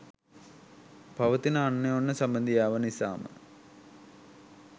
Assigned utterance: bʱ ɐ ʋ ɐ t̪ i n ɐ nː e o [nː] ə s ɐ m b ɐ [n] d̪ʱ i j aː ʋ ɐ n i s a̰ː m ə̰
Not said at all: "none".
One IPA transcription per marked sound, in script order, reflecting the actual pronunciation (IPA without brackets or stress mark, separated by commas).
nː, n